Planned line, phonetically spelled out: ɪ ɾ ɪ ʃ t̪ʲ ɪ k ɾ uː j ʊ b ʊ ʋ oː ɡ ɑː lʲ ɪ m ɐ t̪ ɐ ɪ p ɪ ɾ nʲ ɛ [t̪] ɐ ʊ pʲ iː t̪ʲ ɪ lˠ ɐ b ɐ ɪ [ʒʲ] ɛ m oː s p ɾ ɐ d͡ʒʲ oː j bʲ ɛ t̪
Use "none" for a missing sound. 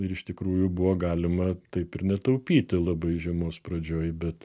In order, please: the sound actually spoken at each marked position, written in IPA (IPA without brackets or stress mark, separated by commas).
t̪, ʒʲ